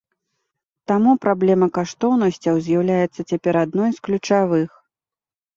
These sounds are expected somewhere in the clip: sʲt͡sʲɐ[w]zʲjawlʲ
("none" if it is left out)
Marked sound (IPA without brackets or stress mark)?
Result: w